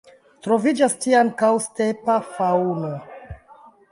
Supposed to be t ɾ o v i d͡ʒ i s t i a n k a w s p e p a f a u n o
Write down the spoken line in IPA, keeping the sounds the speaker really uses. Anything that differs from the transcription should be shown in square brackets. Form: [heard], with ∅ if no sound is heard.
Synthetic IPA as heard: t ɾ o v i d͡ʒ [a] s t i a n k a w s [t] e p a f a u n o